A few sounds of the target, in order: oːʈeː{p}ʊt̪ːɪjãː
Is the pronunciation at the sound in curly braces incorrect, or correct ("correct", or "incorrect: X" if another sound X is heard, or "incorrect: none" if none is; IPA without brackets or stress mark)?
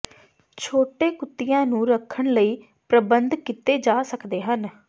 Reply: incorrect: k